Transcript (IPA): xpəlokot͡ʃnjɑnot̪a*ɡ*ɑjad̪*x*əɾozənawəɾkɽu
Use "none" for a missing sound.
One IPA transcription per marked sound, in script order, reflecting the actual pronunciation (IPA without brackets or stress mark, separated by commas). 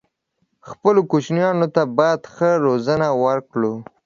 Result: b, x